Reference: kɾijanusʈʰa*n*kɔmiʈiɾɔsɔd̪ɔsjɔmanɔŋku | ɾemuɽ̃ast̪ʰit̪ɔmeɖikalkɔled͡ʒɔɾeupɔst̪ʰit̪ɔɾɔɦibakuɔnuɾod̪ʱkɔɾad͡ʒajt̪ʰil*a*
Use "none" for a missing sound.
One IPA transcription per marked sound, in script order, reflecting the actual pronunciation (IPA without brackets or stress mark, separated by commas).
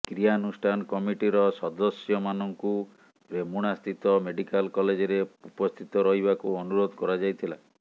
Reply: n, a